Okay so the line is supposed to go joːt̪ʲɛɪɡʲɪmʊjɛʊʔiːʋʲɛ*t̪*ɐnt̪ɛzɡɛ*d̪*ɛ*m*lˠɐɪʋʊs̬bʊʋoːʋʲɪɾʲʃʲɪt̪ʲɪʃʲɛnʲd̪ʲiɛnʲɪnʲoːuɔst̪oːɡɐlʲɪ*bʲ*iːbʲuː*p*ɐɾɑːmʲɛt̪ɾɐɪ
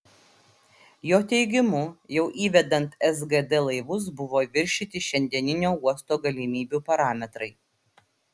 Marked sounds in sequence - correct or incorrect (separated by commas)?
incorrect, correct, incorrect, incorrect, correct